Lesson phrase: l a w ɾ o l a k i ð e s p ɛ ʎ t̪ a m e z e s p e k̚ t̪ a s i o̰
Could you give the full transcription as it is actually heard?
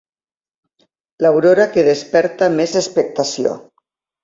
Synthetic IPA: l a w ɾ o ɾ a k e ð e s p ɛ ɾ t̪ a m e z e s p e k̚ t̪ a s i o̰

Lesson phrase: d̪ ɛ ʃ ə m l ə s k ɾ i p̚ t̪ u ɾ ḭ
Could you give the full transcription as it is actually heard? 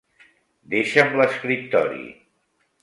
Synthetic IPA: d̪ e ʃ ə m l ə s k ɾ i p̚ t̪ ɔ ɾ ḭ

